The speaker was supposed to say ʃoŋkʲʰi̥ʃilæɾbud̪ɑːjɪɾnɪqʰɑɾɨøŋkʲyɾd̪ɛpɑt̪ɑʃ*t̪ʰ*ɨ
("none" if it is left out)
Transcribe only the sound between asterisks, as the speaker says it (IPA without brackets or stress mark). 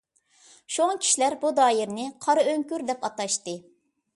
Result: t̪